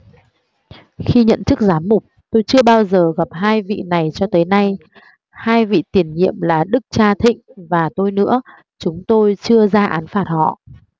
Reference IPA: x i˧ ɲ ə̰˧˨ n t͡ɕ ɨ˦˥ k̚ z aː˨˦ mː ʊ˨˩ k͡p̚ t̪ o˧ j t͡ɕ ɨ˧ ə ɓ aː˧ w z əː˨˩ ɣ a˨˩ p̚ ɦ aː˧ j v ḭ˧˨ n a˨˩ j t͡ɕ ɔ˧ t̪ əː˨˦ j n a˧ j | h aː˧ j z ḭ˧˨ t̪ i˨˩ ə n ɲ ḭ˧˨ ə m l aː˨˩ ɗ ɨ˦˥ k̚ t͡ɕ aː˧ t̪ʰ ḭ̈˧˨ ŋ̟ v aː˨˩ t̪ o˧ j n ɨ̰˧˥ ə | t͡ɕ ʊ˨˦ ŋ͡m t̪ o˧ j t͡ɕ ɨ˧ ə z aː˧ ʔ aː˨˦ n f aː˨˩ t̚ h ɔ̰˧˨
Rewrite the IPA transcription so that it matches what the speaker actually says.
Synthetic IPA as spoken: x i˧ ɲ ə̰˧˨ n t͡ɕ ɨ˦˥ k̚ z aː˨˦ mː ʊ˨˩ k͡p̚ t̪ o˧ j t͡ɕ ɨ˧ ə ɓ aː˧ w z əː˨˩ ɣ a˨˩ p̚ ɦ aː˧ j v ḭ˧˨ n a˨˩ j t͡ɕ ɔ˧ t̪ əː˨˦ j n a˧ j | h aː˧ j v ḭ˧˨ t̪ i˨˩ ə n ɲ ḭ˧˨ ə m l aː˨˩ ɗ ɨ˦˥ k̚ t͡ɕ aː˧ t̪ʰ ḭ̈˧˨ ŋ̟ v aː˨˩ t̪ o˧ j n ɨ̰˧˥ ə | t͡ɕ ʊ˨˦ ŋ͡m t̪ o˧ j t͡ɕ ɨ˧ ə z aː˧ ʔ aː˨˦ n f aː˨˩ t̚ h ɔ̰˧˨